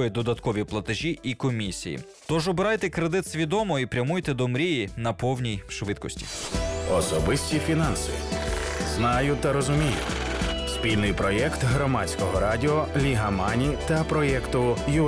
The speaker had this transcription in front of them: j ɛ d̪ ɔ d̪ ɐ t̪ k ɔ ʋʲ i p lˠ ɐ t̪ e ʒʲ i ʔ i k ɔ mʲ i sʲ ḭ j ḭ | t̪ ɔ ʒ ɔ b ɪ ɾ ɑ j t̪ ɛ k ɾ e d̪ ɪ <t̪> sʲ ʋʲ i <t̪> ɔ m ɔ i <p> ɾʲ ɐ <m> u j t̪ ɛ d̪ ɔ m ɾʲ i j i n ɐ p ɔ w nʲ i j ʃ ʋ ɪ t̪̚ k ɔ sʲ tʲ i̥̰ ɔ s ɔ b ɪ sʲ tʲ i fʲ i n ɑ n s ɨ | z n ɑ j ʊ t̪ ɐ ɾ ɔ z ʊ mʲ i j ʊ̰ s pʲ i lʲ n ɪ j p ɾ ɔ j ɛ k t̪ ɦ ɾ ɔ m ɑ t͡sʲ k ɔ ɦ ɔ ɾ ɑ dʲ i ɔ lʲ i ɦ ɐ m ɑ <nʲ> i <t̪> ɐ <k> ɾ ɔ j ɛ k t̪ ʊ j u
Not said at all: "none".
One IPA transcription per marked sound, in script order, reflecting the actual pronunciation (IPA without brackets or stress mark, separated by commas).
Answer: t̪, d̪, p, m, nʲ, t̪, p